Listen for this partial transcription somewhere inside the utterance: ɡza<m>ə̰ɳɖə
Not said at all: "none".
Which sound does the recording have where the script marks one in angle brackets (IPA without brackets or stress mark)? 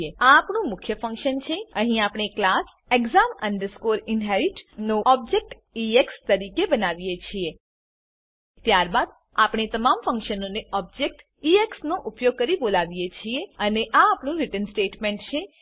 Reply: m